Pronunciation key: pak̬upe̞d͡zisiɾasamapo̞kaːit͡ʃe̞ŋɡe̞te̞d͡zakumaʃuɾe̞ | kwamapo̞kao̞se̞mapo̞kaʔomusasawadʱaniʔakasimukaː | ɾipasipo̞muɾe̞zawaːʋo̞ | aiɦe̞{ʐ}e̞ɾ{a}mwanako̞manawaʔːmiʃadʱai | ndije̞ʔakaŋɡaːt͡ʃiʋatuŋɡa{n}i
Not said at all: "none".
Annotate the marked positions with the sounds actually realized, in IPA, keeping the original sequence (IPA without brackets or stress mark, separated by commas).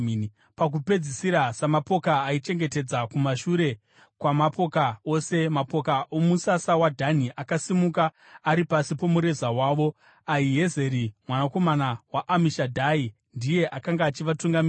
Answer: z, i, m